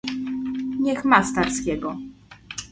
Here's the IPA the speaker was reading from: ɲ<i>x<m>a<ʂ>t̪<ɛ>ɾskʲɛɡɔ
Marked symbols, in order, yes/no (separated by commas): no, yes, no, no